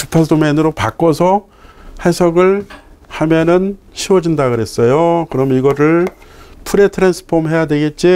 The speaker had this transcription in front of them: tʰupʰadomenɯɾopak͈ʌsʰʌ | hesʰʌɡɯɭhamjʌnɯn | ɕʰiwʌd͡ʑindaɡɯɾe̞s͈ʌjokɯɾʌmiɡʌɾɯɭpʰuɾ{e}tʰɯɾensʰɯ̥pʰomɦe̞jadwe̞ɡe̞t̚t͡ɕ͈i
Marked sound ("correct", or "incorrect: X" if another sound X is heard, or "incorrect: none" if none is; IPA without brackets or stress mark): correct